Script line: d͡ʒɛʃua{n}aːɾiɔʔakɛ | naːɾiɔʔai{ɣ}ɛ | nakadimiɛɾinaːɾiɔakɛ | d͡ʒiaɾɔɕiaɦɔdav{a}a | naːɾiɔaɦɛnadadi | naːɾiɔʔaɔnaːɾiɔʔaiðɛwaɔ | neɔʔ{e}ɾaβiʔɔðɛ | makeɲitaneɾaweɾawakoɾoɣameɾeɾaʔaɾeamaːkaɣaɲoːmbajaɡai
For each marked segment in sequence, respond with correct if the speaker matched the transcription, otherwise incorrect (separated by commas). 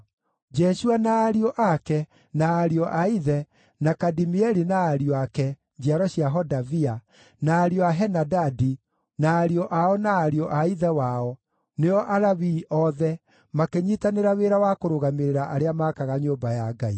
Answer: correct, incorrect, incorrect, incorrect